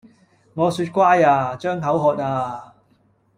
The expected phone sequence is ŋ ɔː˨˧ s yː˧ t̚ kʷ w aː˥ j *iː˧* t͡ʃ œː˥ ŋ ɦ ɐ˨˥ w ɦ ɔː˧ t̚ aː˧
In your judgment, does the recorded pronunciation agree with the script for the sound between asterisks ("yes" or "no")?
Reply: no